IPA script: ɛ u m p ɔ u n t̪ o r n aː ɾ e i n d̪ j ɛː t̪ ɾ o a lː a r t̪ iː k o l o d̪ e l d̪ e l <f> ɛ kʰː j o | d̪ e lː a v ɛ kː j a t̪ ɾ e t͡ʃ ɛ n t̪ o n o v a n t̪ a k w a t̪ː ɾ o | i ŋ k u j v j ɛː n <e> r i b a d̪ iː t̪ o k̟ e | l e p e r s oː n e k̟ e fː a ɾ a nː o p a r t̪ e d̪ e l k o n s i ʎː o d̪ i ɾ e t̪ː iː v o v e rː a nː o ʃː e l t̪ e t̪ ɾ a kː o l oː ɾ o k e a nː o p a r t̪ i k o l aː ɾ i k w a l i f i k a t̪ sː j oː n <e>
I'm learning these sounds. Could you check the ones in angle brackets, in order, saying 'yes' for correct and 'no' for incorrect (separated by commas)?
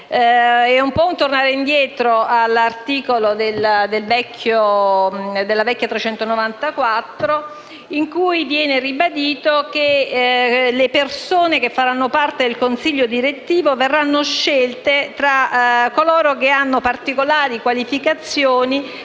no, yes, no